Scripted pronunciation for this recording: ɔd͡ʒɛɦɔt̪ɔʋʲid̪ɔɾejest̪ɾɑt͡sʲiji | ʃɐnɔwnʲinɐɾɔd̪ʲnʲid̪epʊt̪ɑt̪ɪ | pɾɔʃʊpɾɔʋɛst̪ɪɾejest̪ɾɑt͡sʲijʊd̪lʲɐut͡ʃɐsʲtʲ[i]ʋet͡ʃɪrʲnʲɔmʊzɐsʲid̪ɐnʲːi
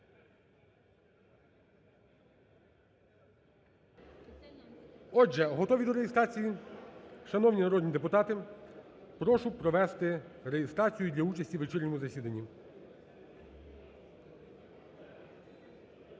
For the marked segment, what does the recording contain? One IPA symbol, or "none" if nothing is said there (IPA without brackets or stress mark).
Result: i